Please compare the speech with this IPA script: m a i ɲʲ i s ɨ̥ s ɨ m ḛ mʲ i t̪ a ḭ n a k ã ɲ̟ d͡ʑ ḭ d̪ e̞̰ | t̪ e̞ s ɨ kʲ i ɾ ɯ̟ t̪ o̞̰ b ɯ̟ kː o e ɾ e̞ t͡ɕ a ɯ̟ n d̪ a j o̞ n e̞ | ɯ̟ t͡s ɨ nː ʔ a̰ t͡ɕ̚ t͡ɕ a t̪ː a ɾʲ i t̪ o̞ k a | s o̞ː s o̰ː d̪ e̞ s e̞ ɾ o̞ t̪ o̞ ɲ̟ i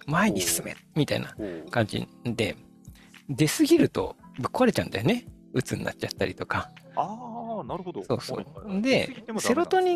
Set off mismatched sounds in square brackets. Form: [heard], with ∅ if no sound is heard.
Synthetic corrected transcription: m a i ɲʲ i s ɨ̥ s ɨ m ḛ mʲ i t̪ a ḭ n a k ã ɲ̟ d͡ʑ ḭ d̪ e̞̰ | [d̪] e̞ s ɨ [ɡʲ] i ɾ ɯ̟ t̪ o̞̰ b ɯ̟ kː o [a] ɾ e̞ t͡ɕ a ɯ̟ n d̪ a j o̞ n e̞ | ɯ̟ t͡s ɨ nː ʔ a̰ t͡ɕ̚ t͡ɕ a t̪ː a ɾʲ i t̪ o̞ k a | s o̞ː s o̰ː d̪ e̞ s e̞ ɾ o̞ t̪ o̞ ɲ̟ i